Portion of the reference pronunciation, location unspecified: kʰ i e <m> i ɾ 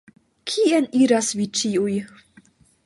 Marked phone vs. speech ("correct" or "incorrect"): incorrect